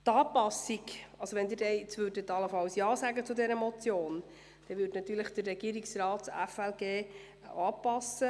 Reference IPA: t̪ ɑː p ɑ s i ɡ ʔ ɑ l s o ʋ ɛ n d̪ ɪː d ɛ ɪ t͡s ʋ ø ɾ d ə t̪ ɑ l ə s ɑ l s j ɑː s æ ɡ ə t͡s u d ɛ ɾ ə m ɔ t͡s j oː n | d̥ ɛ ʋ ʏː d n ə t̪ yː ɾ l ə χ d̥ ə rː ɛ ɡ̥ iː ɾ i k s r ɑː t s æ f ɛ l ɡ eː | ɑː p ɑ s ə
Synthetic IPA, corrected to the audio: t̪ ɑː p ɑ s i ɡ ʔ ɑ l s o ʋ ɛ n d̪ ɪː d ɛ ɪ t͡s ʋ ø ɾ d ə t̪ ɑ l ə f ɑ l s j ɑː s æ ɡ ə t͡s u d ɛ ɾ ə m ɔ t͡s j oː n | d̥ ɛ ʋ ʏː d n ɑ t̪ yː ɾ l ə χ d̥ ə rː ɛ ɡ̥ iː ɾ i k s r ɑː t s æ f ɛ l ɡ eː | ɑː p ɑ s ə